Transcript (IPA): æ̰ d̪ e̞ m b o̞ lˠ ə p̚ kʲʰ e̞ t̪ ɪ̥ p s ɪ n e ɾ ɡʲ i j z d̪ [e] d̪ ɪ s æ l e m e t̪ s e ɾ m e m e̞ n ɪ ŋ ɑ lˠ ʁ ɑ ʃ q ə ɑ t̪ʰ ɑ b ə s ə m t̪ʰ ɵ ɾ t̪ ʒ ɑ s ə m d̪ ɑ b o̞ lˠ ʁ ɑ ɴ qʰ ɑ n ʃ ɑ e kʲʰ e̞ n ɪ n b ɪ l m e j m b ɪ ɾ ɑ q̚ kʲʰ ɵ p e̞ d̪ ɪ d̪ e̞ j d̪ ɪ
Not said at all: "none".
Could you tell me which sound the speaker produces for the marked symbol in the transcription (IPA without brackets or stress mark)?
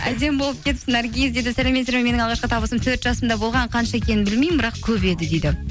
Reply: e